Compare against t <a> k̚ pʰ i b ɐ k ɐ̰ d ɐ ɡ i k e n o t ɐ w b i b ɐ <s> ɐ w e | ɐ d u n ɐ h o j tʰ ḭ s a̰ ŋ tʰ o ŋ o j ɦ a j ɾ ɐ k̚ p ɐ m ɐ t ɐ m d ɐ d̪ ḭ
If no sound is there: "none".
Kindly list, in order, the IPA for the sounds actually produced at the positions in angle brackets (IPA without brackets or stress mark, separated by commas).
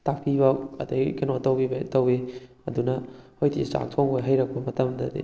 a, t